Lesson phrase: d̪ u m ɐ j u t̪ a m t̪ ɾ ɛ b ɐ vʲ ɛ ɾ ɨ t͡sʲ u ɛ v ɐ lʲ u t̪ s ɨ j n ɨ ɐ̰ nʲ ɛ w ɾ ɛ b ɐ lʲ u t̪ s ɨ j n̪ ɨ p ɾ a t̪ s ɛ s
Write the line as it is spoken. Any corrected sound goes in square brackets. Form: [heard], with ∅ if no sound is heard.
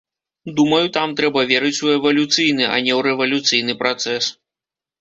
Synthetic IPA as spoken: d̪ u m ɐ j u t̪ a m t̪ ɾ ɛ b ɐ vʲ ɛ ɾ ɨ t͡sʲ u ɛ v ɐ lʲ u t̪ s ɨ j n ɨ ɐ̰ nʲ ɛ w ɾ ɛ [v] ɐ lʲ u t̪ s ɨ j n̪ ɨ p ɾ a t̪ s ɛ s